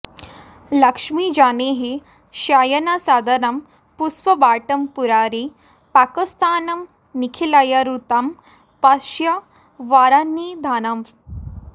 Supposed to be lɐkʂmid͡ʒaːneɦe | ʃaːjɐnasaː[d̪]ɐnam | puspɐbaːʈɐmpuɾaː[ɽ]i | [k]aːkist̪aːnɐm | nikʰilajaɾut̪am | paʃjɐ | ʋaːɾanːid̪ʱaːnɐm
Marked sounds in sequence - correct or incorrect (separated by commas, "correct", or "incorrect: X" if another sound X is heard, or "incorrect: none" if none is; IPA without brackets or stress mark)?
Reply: correct, incorrect: ɾ, incorrect: p